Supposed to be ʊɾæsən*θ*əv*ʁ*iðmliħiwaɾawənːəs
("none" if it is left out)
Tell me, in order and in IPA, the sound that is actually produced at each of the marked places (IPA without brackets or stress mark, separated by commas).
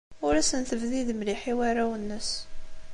θ, ð